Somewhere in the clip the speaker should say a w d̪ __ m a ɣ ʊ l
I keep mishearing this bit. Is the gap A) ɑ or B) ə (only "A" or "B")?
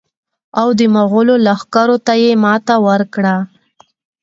B